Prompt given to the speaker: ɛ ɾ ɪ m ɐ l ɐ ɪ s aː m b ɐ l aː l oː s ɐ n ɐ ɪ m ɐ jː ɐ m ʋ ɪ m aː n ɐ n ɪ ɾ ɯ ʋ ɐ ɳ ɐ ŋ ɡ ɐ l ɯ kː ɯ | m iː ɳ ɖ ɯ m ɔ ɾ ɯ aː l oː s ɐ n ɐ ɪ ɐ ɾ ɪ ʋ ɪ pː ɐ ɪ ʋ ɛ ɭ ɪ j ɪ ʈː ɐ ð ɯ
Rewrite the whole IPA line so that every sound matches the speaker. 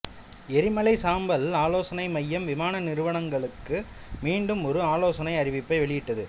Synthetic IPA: ɛ ɾ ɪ m ɐ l ɐ ɪ s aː m b ɐ l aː l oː s ɐ n ɐ ɪ m ɐ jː ɐ m ʋ ɪ m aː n ɐ n ɪ ɾ ɯ ʋ ɐ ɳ ɐ ŋ ɡ ɐ ɭ ɯ kː ɯ | m iː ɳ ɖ ɯ m ɔ ɾ ɯ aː l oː s ɐ n ɐ ɪ ɐ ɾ ɪ ʋ ɪ pː ɐ ɪ ʋ ɛ ɭ ɪ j ɪ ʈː ɐ ð ɯ

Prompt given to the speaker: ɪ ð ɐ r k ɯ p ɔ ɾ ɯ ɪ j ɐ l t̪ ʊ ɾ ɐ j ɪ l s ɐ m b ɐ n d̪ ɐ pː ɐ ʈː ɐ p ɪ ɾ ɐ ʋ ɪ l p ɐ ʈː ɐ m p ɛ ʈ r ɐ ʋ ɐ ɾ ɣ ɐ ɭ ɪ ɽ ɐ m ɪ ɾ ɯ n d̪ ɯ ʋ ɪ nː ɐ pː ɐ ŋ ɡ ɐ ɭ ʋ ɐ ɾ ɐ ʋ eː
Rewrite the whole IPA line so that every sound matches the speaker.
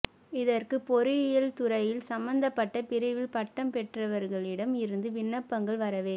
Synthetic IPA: ɪ ð ɐ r k ɯ p ɔ ɾ ɯ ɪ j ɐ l t̪ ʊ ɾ ɐ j ɪ l s ɐ m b ɐ n d̪ ɐ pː ɐ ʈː ɐ p ɪ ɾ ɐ ʋ ɪ l p ɐ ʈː ɐ m p ɛ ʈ r ɐ ʋ ɐ ɾ ɣ ɐ ɭ ɪ ɽ ɐ m ɪ ɾ ɯ n d̪ ɯ ʋ ɪ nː ɐ pː ɐ ŋ ɡ ɐ ɭ ʋ ɐ ɾ ɐ ʋ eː

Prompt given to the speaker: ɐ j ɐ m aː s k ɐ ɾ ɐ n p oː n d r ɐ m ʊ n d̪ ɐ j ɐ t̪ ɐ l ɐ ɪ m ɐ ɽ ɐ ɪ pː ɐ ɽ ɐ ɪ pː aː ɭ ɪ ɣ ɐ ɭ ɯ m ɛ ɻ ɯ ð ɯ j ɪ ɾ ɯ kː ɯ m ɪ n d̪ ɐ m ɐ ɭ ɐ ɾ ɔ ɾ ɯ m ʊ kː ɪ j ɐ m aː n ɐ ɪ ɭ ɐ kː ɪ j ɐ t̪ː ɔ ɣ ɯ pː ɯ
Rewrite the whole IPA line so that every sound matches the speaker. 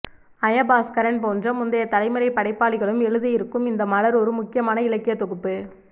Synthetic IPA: ɐ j ɐ b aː s k ɐ ɾ ɐ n p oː n d r ɐ m ʊ n d̪ ɐ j ɐ t̪ ɐ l ɐ ɪ m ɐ ɾ ɐ ɪ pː ɐ ɽ ɐ ɪ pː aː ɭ ɪ ɣ ɐ ɭ ɯ m ɛ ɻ ɯ ð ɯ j ɪ ɾ ɯ kː ɯ m ɪ n d̪ ɐ m ɐ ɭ ɐ ɾ ɔ ɾ ɯ m ʊ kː ɪ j ɐ m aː n ɐ ɪ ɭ ɐ kː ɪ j ɐ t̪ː ɔ ɣ ɯ pː ɯ

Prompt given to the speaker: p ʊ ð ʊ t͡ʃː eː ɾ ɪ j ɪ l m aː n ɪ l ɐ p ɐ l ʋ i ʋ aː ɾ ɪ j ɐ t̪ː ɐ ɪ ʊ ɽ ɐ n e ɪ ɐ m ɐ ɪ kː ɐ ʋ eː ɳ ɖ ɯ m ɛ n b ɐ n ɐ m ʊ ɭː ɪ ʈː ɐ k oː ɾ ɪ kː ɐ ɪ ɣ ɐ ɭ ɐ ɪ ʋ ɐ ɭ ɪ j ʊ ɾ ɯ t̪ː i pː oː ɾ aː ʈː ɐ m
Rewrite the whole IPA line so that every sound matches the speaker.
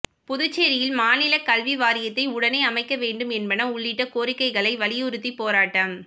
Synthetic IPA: p ʊ ð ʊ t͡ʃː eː ɾ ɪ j ɪ l m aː n ɪ l ɐ k ɐ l ʋ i ʋ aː ɾ ɪ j ɐ t̪ː ɐ ɪ ʊ ɽ ɐ n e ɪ ɐ m ɐ ɪ kː ɐ ʋ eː ɳ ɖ ɯ m ɛ n b ɐ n ɐ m ʊ ɭː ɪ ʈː ɐ k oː ɾ ɪ kː ɐ ɪ ɣ ɐ ɭ ɐ ɪ ʋ ɐ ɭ ɪ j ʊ ɾ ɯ t̪ː i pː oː ɾ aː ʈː ɐ m

